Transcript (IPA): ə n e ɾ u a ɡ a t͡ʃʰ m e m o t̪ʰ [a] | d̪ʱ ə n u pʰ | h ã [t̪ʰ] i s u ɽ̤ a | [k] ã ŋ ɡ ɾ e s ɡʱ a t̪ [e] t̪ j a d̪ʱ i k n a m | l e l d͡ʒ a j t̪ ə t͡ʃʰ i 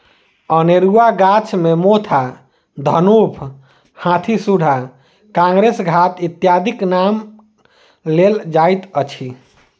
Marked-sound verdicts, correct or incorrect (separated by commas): correct, correct, correct, incorrect